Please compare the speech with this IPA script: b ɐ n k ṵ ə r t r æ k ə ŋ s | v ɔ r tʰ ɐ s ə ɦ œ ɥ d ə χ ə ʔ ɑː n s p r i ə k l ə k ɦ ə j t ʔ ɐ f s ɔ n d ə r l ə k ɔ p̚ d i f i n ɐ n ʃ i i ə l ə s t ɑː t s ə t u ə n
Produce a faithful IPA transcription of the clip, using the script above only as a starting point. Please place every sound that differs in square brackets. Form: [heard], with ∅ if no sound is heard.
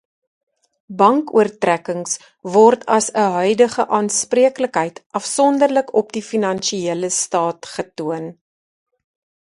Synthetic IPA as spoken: b ɐ [ŋ] k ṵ ə r t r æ k ə ŋ s | v ɔ r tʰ ɐ s ə ɦ œ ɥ d ə χ ə ʔ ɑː n s p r i ə k l ə k ɦ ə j t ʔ ɐ f s ɔ n d ə r l ə k ɔ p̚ d i f i n ɐ n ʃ i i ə l ə s t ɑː t [χ] ə t u ə n